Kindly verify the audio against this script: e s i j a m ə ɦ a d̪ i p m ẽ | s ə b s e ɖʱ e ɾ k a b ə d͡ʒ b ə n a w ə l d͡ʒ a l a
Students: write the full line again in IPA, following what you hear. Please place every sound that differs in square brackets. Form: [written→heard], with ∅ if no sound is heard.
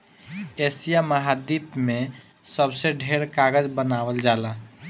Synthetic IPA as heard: e s i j a m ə ɦ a d̪ i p m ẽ | s ə b s e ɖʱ e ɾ k a [b→ɡ] ə d͡ʒ b ə n a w ə l d͡ʒ a l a